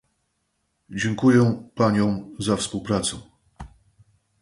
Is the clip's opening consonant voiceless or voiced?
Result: voiced